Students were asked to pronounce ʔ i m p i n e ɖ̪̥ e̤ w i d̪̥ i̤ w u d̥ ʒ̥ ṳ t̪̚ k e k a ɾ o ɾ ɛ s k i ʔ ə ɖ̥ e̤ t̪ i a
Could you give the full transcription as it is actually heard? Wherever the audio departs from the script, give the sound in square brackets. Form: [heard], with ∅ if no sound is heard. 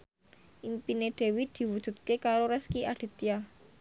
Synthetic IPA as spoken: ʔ i m p i n e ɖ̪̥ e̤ w i d̪̥ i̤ w u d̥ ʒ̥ ṳ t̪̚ k e k a ɾ o ɾ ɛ s k i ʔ [a] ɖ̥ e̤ t̪ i a